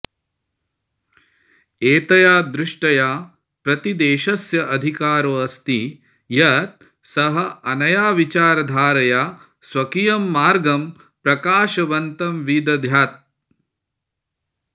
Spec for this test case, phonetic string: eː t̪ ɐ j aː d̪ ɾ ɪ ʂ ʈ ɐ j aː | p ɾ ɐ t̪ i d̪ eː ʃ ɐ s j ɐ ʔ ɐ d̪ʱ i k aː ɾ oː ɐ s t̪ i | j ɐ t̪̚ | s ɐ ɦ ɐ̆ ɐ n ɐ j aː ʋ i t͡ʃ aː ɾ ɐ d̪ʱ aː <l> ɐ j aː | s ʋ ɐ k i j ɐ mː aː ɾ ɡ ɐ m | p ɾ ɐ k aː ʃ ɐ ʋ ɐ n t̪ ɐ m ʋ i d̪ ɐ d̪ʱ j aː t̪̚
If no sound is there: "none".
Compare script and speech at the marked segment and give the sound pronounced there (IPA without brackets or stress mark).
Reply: ɾ